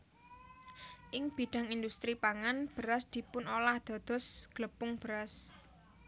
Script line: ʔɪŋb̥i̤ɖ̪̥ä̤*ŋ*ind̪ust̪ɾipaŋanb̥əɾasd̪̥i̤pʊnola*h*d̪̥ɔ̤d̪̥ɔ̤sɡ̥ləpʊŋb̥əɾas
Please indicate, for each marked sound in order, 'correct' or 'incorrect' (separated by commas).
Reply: correct, correct